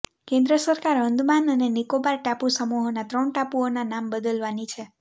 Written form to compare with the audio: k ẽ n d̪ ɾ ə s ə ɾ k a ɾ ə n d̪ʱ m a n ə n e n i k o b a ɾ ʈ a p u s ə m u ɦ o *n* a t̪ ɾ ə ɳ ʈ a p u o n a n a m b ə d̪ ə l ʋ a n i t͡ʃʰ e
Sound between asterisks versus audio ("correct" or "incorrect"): correct